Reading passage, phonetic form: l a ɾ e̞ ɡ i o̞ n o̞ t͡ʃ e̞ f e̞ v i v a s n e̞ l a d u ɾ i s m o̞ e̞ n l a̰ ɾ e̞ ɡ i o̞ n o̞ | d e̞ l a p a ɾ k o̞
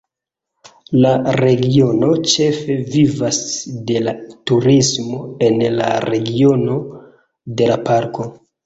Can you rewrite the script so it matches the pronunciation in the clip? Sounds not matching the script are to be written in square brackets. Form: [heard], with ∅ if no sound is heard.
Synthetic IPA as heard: l a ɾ e̞ ɡ i o̞ n o̞ t͡ʃ e̞ f e̞ v i v a s [d] e̞ l a [t] u ɾ i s m o̞ e̞ n l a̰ ɾ e̞ ɡ i o̞ n o̞ | d e̞ l a p a ɾ k o̞

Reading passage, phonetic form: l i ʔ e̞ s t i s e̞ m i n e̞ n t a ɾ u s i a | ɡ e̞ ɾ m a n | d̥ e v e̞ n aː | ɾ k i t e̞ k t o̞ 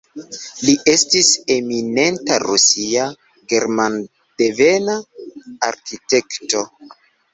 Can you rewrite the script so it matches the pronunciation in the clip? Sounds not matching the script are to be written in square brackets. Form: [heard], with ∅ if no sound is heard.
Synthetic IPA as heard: l i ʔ e̞ s t i s e̞ m i n e̞ n t a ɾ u s i a | ɡ e̞ ɾ m a n | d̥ e v e̞ n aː | ɾ k i t e̞ k t o̞

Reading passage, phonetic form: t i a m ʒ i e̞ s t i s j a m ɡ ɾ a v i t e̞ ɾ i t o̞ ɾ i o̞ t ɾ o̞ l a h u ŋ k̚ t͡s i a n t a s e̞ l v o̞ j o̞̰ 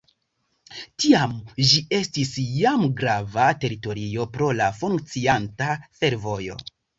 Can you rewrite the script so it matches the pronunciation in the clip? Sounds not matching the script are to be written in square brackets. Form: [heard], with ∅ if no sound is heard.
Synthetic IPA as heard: t i a m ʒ i e̞ s t i s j a m ɡ ɾ a v [a] t e̞ ɾ i t o̞ ɾ i o̞ [p] ɾ o̞ l a [f] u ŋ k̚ t͡s i a n t a [f] e̞ [ɾ] v o̞ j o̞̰

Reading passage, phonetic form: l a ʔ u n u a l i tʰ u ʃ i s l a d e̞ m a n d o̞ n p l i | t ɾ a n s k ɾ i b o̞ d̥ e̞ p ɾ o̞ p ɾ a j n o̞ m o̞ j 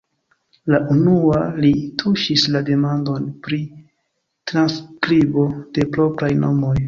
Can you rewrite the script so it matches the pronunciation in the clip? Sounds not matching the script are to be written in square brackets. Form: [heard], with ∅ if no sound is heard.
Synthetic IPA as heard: l a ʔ u n u a l i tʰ u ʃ i s l a d e̞ m a n d o̞ n p [ɾ] i | t ɾ a n s k ɾ i b o̞ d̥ e̞ p ɾ o̞ p ɾ a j n o̞ m o̞ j

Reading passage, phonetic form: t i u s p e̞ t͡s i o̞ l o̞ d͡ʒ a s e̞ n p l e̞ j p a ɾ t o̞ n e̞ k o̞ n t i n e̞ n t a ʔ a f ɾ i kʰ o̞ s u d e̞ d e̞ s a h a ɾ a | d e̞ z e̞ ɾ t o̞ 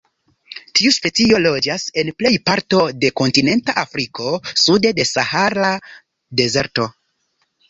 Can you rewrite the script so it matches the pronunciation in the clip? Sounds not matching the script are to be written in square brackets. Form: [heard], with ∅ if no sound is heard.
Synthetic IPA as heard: t i u s p e̞ t͡s i o̞ l o̞ d͡ʒ a s e̞ n p l e̞ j p a ɾ t o̞ [d] e̞ k o̞ n t i n e̞ n t a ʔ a f ɾ i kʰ o̞ s u d e̞ d e̞ s a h a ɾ a | d e̞ z e̞ ɾ t o̞

